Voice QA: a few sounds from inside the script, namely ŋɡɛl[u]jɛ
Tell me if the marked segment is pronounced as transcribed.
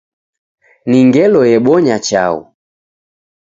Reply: no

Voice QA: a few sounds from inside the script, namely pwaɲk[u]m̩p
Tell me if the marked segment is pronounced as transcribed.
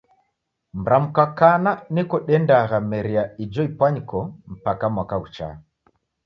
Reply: no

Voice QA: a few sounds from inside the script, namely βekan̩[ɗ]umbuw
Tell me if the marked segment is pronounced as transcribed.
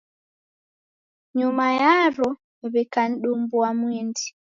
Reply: yes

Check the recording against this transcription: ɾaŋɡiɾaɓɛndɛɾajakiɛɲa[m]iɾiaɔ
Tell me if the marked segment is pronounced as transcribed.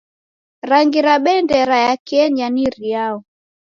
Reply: no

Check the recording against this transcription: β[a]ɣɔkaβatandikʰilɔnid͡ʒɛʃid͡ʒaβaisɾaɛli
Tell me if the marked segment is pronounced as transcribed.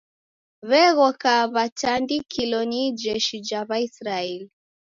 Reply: no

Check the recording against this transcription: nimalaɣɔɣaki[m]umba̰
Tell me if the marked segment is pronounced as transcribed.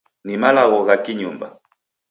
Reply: no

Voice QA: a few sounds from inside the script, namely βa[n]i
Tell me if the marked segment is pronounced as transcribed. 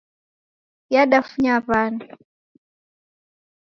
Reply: yes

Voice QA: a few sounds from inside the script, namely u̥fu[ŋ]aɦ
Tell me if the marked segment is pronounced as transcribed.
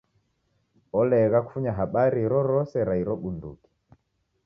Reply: no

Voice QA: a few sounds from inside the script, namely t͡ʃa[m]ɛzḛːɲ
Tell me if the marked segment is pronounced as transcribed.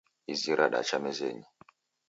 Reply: yes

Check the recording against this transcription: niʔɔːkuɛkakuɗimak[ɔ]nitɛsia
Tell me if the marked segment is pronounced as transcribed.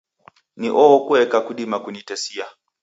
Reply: no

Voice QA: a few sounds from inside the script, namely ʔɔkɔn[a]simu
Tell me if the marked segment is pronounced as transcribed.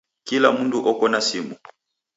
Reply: yes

